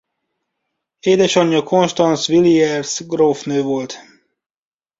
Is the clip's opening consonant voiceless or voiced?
voiced